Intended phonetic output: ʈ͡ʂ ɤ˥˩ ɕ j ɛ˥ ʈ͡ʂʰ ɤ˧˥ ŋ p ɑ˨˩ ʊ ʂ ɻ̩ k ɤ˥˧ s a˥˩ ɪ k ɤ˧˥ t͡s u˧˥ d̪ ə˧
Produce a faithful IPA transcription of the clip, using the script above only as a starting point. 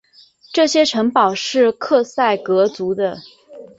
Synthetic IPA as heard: ʈ͡ʂ ɤ˥˩ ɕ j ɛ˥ ʈ͡ʂʰ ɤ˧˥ ŋ p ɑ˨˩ ʊ ʂ ɻ̩ kʰ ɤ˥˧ s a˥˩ ɪ k ɤ˧˥ t͡s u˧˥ d̪ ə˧